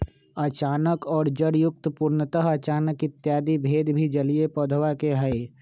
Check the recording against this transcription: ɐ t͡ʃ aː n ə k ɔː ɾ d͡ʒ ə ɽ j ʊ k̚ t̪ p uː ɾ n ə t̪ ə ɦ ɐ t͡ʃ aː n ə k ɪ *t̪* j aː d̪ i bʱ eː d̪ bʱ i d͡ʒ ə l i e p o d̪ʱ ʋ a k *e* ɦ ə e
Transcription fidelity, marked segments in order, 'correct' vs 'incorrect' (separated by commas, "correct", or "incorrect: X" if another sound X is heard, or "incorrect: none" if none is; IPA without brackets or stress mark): correct, correct